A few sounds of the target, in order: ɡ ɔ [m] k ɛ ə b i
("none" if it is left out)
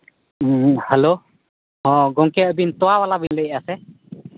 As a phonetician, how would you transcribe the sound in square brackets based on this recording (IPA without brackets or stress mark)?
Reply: ŋ